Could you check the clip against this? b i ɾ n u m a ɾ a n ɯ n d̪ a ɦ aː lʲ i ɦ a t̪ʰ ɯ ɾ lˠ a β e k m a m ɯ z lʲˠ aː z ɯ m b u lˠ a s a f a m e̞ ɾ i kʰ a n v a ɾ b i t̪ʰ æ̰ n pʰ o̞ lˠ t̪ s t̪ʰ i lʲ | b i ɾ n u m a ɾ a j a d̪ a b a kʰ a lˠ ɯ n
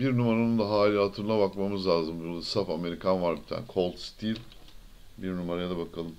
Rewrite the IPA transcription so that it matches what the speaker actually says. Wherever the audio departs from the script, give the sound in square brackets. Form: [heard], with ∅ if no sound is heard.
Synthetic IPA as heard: b i ɾ n u m a ɾ a n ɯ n d̪ a ɦ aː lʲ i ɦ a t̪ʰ ɯ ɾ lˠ a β [a] k m a m ɯ z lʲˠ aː z ɯ m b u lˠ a s a f a m e̞ ɾ i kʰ a n v a ɾ b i t̪ʰ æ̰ n [kʰ] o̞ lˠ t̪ s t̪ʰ i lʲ | b i ɾ n u m a ɾ a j a d̪ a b a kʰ a lˠ ɯ [m]